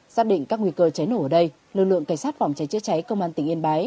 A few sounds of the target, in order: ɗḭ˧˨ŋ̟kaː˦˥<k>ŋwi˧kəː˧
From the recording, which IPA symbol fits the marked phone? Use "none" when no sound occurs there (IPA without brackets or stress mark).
k